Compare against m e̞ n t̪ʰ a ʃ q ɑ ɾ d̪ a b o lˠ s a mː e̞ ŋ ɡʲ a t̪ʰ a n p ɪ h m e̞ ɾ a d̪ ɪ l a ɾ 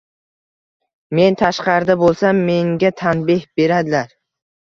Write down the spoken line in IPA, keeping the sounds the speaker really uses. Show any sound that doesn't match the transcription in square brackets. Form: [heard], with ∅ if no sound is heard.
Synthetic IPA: m e̞ n t̪ʰ a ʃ q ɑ ɾ d̪ a b o lˠ s a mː e̞ ŋ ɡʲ a t̪ʰ a n [b] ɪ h [b] e̞ ɾ a d̪ ɪ l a ɾ